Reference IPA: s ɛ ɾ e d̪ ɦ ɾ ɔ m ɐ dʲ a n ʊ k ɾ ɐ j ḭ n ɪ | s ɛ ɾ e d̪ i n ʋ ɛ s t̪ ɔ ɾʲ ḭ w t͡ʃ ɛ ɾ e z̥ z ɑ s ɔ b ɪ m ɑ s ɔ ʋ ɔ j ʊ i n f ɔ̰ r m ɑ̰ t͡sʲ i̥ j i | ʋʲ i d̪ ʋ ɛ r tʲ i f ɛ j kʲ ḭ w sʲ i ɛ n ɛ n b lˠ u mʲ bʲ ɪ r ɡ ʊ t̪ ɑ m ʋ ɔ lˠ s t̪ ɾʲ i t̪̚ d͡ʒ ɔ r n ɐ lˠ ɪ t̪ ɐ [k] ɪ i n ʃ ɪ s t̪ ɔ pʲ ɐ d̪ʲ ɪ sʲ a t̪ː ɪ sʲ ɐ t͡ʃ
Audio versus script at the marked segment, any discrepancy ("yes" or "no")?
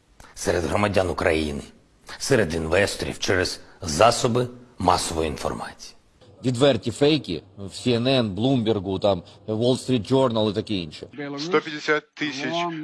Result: no